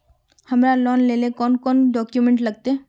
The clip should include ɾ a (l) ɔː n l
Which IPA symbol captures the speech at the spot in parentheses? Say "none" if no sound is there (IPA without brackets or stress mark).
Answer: l